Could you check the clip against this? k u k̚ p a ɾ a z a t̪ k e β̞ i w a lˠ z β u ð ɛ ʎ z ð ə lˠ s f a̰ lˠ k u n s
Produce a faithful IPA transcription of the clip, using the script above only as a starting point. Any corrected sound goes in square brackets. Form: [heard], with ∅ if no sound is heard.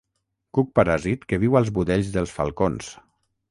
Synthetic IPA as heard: k u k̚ p a ɾ a z [i] t̪ k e β̞ i w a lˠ z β u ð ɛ ʎ z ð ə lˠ s f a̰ lˠ k [o] n s